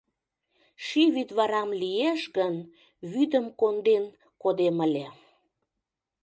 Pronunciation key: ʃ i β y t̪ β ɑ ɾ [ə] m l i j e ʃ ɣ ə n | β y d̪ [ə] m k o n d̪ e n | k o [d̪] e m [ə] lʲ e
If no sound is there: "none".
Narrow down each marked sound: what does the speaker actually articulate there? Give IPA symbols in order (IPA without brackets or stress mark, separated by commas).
ɑ, ə, d̪, ə